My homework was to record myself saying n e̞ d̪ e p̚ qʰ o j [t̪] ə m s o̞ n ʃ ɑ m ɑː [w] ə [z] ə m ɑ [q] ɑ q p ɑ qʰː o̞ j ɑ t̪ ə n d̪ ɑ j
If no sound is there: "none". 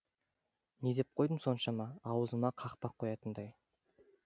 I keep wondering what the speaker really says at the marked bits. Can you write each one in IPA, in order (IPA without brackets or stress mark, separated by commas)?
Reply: d̪, w, z, qʰ